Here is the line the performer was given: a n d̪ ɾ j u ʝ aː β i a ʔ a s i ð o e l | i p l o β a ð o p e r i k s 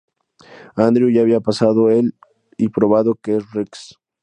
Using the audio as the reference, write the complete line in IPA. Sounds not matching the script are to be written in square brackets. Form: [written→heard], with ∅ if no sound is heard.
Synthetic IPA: a n d̪ ɾ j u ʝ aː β i a [ʔ→p] a s [i→a] ð o e l | i p [l→ɾ] o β a ð o [p→k] e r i k s